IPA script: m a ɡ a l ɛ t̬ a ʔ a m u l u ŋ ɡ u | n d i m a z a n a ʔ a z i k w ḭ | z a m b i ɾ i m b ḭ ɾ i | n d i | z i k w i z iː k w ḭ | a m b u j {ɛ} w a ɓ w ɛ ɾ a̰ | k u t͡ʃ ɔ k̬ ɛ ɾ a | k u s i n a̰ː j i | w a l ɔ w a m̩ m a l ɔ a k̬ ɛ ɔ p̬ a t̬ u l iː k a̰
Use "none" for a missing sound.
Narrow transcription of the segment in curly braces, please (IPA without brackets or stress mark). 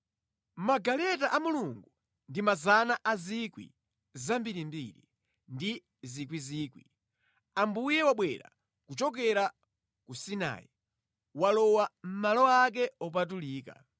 ɛ